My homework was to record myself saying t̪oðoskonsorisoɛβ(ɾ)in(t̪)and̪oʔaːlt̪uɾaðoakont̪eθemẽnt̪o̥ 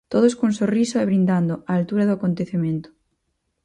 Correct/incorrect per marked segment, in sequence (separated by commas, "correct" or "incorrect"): correct, incorrect